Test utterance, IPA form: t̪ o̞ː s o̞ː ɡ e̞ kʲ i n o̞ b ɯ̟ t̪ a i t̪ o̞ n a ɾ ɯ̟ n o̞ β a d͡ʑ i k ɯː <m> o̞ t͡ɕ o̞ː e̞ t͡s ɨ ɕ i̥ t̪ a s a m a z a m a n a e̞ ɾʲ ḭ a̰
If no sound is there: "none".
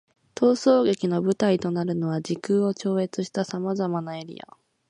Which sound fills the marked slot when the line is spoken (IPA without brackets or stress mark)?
none